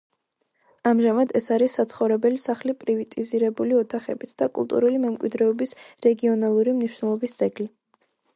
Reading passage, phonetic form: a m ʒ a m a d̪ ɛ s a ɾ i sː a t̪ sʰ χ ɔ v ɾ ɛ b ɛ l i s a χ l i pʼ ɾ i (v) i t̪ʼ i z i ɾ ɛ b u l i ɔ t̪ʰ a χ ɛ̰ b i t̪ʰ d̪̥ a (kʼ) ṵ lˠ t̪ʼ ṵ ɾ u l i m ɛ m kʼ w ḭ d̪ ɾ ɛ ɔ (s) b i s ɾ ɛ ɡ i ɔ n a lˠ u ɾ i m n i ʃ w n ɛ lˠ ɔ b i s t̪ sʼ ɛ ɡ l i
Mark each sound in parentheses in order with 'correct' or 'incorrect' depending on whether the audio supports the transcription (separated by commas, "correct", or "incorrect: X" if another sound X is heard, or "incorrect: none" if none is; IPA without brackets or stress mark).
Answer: correct, correct, incorrect: none